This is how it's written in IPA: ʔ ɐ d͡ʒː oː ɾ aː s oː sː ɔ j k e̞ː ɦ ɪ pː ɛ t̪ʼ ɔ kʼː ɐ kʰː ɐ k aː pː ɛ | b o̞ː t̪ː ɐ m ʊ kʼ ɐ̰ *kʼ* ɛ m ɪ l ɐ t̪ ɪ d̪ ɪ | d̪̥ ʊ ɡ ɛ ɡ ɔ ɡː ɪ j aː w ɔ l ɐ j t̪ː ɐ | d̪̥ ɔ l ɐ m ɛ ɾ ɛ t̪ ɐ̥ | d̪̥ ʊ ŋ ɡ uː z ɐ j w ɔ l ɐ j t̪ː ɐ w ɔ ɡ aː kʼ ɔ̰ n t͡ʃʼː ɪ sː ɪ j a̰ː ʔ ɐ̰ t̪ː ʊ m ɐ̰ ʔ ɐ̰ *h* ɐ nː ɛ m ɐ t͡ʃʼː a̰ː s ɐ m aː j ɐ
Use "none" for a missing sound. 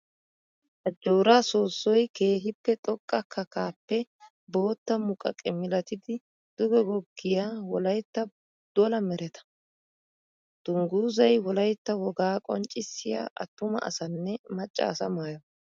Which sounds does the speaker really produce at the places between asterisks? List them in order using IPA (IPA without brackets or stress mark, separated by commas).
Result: kʼ, s